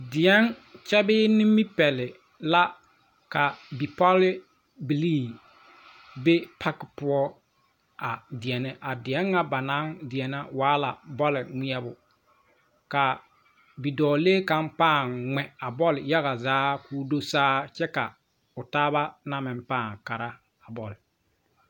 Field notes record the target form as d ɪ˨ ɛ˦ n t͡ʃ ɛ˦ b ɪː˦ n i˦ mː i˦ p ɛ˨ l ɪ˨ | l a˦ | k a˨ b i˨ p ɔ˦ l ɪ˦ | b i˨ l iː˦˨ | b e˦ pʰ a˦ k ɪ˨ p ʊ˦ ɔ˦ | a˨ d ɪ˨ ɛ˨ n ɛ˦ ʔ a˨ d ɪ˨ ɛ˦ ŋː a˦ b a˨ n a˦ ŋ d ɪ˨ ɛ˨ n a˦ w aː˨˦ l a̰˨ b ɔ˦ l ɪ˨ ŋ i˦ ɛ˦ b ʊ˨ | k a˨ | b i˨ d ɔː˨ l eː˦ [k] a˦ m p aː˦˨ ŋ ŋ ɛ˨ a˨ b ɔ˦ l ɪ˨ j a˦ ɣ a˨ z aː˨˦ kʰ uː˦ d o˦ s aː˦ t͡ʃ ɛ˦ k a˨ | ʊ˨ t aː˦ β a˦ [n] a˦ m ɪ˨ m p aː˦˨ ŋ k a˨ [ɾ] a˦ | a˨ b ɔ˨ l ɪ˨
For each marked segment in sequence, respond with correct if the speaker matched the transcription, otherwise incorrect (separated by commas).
correct, correct, correct